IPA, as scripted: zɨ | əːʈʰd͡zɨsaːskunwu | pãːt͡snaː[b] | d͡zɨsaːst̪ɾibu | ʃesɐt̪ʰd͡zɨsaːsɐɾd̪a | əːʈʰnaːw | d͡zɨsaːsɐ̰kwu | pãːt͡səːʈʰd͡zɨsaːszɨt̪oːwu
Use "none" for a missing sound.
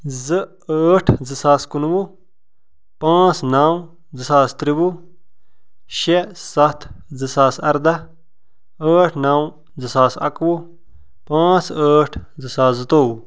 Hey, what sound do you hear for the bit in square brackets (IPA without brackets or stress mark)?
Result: w